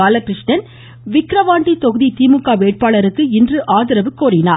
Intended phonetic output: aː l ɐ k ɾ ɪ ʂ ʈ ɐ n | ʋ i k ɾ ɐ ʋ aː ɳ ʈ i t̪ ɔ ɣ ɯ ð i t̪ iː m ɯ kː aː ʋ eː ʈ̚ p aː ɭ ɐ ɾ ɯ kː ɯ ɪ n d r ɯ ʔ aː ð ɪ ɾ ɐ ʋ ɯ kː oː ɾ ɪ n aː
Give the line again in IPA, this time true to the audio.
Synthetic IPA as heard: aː l ɐ k ɾ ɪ ʂ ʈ ɐ n | ʋ ɪ k ɾ ɐ ʋ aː ɳ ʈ i t̪ ɔ ɣ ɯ ð i t̪ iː m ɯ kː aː ʋ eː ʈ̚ p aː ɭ ɐ ɾ ɯ kː ɯ ɪ n d r ɯ ʔ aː ð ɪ ɾ ɐ ʋ ɯ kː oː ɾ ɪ n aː

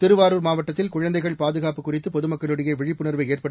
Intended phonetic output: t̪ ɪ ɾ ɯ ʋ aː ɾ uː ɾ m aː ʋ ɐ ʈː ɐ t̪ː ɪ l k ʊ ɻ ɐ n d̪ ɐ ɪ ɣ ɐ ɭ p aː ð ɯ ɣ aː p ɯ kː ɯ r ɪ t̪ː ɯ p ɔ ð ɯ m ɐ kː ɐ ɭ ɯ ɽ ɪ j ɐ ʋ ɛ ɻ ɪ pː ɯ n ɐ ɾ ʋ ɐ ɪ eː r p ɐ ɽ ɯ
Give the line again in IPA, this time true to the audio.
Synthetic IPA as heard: t̪ ɪ ɾ ɯ ʋ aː ɾ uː ɾ m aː ʋ ɐ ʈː ɐ t̪ː ɪ l k ʊ ɻ ɐ n d̪ ɐ ɪ ɣ ɐ ɭ p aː ð ɯ ɣ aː p ɯ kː ʊ r ɪ t̪ː ɯ p ɔ ð ɯ m ɐ kː ɐ ɭ ɯ ɽ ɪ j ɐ ʋ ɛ ɻ ɪ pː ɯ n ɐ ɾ ʋ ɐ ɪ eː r p ɐ ɽ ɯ

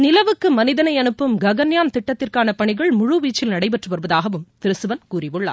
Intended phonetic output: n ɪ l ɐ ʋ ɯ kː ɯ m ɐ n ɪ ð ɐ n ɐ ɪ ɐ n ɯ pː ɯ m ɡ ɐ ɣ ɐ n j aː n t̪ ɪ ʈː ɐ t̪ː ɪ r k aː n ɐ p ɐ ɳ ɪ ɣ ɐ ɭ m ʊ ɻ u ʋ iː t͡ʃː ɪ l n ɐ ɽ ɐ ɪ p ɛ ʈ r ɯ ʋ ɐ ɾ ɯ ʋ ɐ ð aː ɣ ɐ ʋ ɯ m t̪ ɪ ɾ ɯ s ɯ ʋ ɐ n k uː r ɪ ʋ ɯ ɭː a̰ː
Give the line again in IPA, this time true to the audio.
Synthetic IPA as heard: n ɪ l ɐ ʋ ɯ kː ɯ m ɐ n ɪ ð ɐ n ɐ ɪ ɐ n ɯ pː ɯ m ɡ ɐ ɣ ɐ n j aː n t̪ ɪ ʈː ɐ t̪ː ɪ r k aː n ɐ p ɐ ɳ ɪ ɣ ɐ ɭ m ʊ ɻ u ʋ iː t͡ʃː ɪ l n ɐ ɽ ɐ ɪ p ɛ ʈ r ɯ ʋ ɐ ɾ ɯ ʋ ɐ ð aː ɣ ɐ ʋ ɯ m t̪ ɪ ɾ ɯ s ɯ ʋ ɐ n k uː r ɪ ʋ ɯ ɭː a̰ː

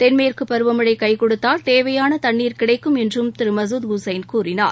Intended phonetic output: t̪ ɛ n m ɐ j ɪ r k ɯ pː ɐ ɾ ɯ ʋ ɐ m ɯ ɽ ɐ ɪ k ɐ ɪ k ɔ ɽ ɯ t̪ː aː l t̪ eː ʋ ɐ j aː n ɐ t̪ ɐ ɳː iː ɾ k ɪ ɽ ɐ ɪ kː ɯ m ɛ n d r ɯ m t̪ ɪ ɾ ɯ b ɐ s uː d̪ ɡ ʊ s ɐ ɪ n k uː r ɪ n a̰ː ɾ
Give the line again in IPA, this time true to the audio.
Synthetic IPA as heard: t̪ ɛ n m ɐ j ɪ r k ɯ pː ɐ ɾ ɯ ʋ ɐ m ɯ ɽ ɐ ɪ k ɐ ɪ k ɔ ɽ ɯ t̪ː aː l t̪ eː ʋ ɐ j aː n ɐ t̪ ɐ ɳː iː ɾ k ɪ ɽ ɐ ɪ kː ɯ m ɛ n d r ɯ m t̪ ɪ ɾ ɯ m ɐ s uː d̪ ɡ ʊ s ɐ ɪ n k uː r ɪ n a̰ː ɾ

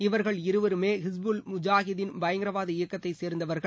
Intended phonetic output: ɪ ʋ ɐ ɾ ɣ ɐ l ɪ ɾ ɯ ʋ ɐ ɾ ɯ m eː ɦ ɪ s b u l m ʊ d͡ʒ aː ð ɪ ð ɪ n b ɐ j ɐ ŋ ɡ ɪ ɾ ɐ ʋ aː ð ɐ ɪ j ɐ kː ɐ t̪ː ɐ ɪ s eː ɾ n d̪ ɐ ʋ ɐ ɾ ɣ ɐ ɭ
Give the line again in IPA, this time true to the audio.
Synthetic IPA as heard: ɪ ʋ ɐ ɾ ɣ ɐ ɭ ɪ ɾ ɯ ʋ ɐ ɾ ɯ m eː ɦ ɪ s b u l m ʊ d͡ʒ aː ɣ ɪ ð ɪ n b ɐ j ɐ ŋ ɡ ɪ ɾ ɐ ʋ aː ð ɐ ɪ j ɐ kː ɐ t̪ː ɐ ɪ s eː ɾ n d̪ ɐ ʋ ɐ ɾ ɣ ɐ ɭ

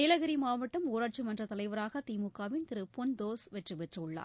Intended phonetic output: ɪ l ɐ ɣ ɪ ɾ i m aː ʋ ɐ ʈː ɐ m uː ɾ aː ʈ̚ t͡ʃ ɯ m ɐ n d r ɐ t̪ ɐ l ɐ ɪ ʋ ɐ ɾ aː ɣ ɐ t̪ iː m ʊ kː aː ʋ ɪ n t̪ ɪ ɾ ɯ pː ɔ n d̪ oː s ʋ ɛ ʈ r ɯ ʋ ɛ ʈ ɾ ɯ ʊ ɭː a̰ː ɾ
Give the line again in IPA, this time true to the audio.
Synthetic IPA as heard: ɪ l ɐ ɣ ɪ ɾ i m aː ʋ ɐ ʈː ɐ m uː ɾ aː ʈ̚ t͡ʃ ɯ m ɐ n d r ɐ t̪ ɐ l ɐ ɪ ʋ ɐ ɾ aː ɣ ɐ t̪ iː m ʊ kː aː ʋ ɪ n t̪ ɪ ɾ ɯ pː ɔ n d̪ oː s ʋ ɛ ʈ r ɯ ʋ ɛ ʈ r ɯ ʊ ɭː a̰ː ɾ

